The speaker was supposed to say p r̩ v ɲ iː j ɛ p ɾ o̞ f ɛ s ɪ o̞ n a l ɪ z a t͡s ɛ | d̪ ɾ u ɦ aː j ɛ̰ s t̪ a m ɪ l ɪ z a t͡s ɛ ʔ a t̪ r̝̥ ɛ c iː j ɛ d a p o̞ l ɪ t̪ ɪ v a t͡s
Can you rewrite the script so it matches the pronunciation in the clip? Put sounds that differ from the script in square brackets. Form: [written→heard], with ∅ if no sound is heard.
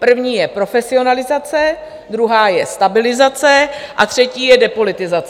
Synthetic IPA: p r̩ v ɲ iː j ɛ p ɾ o̞ f ɛ s ɪ o̞ n a l ɪ z a t͡s ɛ | d̪ ɾ u ɦ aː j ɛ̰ s t̪ a [m→b] ɪ l ɪ z a t͡s ɛ ʔ a t̪ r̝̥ ɛ c iː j ɛ d [a→ɛ] p o̞ l ɪ t̪ ɪ [v→z] a t͡s